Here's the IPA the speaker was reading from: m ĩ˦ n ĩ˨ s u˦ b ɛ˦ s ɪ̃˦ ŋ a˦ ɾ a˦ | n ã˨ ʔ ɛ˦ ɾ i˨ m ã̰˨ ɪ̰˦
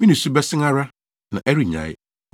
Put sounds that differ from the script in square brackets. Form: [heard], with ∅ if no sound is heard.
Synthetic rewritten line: m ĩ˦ n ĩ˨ s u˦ b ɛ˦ s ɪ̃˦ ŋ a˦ ɾ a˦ | n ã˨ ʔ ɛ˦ ɾ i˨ [ɲ] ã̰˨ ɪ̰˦